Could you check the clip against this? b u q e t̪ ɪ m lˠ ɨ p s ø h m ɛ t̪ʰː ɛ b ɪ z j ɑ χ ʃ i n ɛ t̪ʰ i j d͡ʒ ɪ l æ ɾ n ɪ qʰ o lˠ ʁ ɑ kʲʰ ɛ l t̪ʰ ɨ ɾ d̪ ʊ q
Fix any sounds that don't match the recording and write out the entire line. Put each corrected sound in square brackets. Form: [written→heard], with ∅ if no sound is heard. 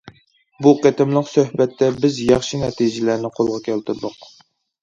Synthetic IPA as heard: b u q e t̪ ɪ m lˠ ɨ [p→q] s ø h [m→b] ɛ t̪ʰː ɛ b ɪ z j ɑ χ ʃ i n ɛ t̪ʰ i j d͡ʒ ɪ l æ ɾ n ɪ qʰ o lˠ ʁ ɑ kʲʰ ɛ l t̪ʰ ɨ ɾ d̪ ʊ q